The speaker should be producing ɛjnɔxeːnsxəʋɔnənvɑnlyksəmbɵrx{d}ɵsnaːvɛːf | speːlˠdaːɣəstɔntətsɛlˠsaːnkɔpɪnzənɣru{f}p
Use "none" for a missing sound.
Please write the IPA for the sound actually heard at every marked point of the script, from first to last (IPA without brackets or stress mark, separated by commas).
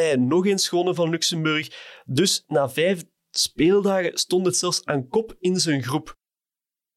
d, none